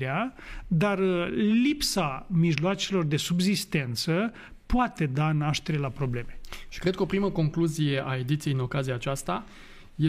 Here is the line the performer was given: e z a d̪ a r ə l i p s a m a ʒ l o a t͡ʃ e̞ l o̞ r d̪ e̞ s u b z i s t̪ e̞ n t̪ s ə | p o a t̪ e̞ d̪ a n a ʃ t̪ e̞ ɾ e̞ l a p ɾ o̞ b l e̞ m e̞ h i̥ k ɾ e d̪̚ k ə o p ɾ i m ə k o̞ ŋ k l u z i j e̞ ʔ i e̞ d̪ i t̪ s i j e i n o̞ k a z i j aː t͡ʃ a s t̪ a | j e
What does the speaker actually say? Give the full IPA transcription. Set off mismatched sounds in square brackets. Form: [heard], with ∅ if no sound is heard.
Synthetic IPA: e [∅] a d̪ a r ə l i p s a m [i] ʒ l o a t͡ʃ e̞ l o̞ r d̪ e̞ s u b z i s t̪ e̞ n t̪ s ə | p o a t̪ e̞ d̪ a n a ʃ t̪ e̞ ɾ e̞ l a p ɾ o̞ b l e̞ m e̞ [ʃ] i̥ k ɾ e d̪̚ k ə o p ɾ i m ə k o̞ ŋ k l u z i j e̞ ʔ [a] e̞ d̪ i t̪ s i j e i n o̞ k a z i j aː t͡ʃ a s t̪ a | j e